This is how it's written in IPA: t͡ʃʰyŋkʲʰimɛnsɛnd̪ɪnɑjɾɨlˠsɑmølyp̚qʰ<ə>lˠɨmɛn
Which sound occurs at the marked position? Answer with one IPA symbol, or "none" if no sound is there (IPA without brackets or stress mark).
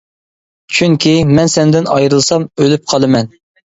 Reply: ɑ